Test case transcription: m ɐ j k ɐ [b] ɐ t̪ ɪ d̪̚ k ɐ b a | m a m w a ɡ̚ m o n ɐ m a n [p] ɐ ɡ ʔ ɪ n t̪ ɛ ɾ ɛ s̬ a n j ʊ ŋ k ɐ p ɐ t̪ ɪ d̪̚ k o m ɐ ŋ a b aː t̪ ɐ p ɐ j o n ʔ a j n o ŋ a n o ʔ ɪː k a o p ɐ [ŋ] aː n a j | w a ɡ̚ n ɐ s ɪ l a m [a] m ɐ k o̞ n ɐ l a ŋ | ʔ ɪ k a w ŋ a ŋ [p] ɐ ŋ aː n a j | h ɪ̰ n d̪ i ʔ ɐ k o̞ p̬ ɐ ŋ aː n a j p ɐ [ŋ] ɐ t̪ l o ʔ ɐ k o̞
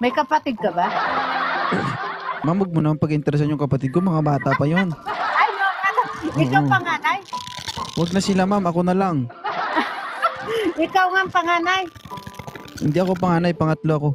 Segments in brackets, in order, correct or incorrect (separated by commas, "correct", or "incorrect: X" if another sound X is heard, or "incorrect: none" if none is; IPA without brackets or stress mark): incorrect: p, correct, correct, correct, correct, correct